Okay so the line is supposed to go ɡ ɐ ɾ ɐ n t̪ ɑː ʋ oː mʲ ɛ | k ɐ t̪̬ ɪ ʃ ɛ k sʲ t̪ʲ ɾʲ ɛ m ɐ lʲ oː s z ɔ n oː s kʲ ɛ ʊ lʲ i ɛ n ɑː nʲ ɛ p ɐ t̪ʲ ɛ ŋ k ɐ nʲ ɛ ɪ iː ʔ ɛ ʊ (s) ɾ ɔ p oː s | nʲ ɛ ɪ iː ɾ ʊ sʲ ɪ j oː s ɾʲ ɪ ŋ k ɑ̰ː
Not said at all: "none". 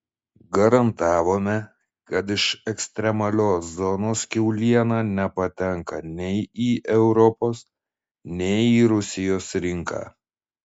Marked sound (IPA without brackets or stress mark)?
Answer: none